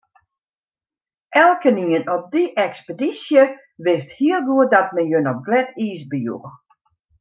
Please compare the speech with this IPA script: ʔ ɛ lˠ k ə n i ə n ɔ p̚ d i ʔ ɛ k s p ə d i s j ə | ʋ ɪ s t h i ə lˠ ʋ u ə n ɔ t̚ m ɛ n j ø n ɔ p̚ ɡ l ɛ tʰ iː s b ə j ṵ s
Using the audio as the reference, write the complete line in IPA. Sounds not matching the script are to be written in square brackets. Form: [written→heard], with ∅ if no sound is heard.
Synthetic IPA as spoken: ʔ ɛ lˠ k ə n i ə n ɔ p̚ d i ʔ ɛ k s p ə d i s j ə | ʋ ɪ s t h i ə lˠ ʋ u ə [n→d] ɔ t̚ m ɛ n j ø n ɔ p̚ ɡ l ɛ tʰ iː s b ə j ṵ [s→x]